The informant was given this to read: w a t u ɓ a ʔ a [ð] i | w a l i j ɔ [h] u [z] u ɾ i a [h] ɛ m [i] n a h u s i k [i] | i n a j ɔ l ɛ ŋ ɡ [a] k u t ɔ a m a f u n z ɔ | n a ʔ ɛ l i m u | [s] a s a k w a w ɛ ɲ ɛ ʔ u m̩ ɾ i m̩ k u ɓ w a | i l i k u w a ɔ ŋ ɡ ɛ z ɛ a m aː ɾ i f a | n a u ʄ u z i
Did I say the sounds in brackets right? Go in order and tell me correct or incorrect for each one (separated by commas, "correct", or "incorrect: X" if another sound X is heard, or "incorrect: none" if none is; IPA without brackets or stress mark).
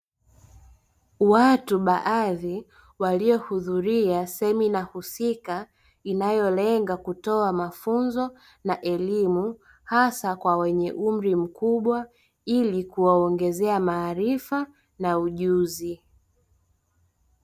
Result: correct, correct, incorrect: ð, incorrect: s, correct, incorrect: a, correct, incorrect: h